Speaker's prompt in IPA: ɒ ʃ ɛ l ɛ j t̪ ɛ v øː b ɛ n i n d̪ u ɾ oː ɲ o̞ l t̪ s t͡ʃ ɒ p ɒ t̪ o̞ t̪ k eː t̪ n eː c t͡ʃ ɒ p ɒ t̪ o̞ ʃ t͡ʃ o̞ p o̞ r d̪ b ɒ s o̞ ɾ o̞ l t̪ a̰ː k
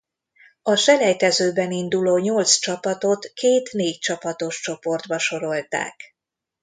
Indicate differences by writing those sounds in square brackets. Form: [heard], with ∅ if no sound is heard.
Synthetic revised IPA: ɒ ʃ ɛ l ɛ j t̪ ɛ [z] øː b ɛ n i n d̪ u [l] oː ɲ o̞ l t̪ s t͡ʃ ɒ p ɒ t̪ o̞ t̪ k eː t̪ n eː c t͡ʃ ɒ p ɒ t̪ o̞ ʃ t͡ʃ o̞ p o̞ r d̪ b ɒ [ʃ] o̞ ɾ o̞ l t̪ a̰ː k